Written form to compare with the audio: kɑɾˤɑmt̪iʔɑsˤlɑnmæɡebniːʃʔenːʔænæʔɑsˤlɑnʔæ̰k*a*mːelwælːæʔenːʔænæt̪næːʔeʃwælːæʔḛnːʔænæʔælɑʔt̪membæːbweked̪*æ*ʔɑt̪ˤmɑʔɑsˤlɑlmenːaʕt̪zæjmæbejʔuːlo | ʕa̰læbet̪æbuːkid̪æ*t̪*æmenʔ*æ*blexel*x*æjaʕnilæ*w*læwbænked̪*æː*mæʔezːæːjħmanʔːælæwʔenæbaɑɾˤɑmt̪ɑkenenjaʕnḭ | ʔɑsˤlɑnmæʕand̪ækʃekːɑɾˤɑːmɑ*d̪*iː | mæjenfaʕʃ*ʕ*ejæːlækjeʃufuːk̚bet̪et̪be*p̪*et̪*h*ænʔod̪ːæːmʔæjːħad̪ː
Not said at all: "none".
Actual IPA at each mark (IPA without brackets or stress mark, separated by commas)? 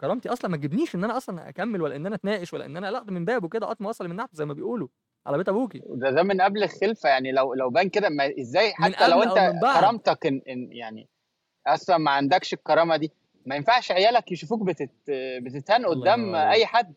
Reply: æ, æ, d̪, æ, f, w, æ, d̪, ʕ, t̪, h